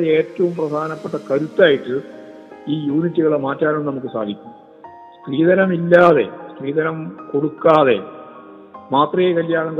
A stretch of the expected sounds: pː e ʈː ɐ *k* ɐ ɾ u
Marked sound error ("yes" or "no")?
no